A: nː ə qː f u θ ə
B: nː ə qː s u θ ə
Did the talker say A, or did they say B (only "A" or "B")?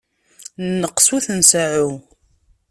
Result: B